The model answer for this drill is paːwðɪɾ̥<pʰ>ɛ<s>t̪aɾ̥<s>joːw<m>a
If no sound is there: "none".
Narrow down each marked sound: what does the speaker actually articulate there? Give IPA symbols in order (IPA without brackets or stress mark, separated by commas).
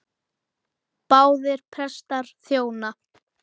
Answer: pʰ, s, θ, n